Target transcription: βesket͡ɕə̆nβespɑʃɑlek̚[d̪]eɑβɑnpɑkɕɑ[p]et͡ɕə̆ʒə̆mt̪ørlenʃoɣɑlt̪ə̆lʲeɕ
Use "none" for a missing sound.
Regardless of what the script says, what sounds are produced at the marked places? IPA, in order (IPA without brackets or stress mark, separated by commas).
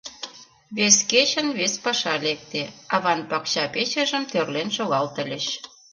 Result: t̪, p